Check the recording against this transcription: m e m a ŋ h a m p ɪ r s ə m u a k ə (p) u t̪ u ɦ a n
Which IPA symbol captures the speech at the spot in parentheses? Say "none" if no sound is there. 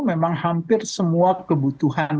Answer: b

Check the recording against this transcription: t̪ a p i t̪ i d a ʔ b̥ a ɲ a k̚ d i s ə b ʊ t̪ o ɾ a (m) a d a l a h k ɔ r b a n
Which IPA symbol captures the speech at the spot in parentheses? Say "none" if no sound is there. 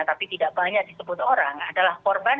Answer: ŋ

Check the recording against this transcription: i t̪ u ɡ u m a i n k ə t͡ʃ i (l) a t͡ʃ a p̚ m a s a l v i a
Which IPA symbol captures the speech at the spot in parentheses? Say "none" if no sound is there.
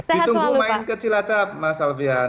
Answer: l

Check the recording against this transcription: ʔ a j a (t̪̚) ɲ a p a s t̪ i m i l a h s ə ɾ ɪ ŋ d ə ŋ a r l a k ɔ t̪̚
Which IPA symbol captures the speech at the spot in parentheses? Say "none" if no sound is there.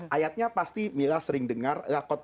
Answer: t̪̚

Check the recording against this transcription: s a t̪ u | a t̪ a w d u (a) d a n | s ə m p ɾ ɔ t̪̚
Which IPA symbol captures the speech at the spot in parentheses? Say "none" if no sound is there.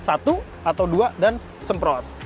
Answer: a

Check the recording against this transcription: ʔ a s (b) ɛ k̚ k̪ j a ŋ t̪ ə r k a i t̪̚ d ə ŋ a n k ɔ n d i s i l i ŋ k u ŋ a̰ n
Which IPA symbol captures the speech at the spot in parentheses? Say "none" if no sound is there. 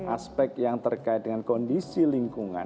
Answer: p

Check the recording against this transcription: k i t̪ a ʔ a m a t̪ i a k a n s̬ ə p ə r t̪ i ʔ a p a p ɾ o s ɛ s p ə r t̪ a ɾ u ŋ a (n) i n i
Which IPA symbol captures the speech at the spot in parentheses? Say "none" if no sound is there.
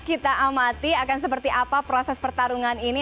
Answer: n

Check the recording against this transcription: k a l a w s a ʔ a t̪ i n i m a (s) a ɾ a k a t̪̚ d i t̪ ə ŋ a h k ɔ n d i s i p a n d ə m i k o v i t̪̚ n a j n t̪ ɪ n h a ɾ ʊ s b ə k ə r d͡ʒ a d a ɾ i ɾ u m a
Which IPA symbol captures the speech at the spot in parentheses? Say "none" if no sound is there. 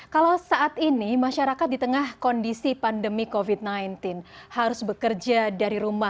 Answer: ʃ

